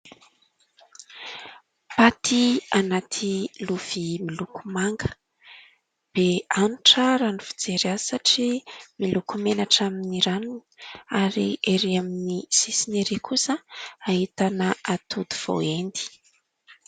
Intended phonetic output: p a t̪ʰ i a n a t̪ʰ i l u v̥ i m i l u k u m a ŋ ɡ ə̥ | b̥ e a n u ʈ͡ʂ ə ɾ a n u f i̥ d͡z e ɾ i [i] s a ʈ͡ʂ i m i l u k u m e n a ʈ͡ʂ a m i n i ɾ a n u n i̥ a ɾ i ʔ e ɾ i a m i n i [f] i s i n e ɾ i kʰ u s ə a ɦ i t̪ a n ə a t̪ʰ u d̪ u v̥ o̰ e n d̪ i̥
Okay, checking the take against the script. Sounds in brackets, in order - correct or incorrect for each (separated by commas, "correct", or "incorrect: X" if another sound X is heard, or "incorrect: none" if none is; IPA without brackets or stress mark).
incorrect: a, incorrect: s